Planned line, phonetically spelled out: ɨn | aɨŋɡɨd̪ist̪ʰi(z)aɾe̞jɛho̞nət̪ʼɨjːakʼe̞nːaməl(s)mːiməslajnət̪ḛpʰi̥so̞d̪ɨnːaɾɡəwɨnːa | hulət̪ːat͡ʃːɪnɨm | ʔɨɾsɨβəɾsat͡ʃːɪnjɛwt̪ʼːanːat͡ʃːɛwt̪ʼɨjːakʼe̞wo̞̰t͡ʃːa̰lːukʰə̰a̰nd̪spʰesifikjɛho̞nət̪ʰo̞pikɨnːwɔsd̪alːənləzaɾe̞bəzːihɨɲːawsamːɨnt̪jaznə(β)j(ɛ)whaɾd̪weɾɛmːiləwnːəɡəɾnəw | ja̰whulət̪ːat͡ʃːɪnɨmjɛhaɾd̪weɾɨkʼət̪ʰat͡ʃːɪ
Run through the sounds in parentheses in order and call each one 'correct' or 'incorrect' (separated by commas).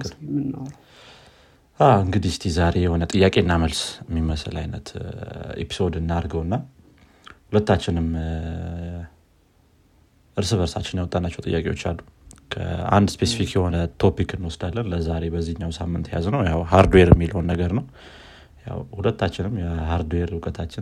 correct, correct, incorrect, incorrect